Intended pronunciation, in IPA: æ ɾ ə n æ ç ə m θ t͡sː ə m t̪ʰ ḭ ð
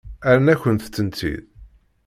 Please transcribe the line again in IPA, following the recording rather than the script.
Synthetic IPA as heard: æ ɾ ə n æ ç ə n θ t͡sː ə n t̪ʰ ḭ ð